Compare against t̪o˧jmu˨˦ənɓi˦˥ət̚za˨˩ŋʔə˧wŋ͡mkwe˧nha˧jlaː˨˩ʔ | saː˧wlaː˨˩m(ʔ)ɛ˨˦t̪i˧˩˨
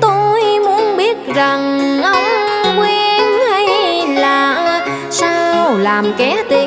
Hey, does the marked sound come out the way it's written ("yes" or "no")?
no